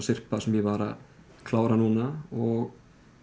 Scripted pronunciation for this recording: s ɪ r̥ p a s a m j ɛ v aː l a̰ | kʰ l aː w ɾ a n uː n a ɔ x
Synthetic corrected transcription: s ɪ r̥ p a s ɛ m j ɛ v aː ɾ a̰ | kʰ l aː w ɾ a n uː n a ɔ ɣ